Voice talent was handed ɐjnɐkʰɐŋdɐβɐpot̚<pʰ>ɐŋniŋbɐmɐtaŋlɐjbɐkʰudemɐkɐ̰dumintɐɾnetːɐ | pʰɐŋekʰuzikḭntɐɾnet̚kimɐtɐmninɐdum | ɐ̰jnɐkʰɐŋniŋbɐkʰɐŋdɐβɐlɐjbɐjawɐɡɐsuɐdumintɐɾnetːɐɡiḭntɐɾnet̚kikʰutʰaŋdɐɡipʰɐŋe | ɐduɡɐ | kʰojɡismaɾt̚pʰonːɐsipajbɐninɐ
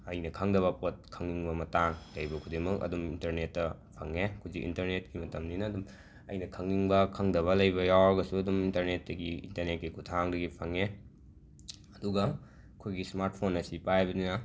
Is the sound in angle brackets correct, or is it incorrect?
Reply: incorrect